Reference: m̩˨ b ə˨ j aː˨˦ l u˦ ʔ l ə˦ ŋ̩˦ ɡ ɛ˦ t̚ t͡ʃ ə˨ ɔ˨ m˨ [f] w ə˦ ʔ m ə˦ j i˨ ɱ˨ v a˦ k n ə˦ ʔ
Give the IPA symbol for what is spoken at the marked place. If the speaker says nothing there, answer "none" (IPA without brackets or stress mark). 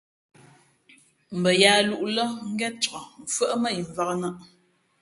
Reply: f